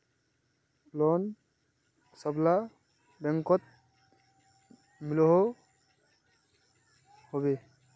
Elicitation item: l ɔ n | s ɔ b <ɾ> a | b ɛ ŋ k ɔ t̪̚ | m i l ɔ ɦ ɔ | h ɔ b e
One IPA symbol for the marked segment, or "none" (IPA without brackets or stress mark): l